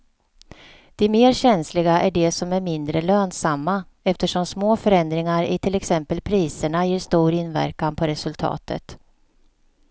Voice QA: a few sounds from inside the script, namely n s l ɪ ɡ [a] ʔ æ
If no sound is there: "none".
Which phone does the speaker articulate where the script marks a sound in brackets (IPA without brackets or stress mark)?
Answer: a